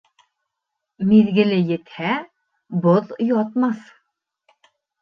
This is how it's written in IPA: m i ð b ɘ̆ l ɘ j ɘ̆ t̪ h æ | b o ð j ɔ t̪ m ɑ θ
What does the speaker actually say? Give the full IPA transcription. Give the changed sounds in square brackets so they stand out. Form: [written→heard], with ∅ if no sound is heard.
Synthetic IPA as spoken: m i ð [b→ɡ] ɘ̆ l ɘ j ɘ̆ t̪ h æ | b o ð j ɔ t̪ m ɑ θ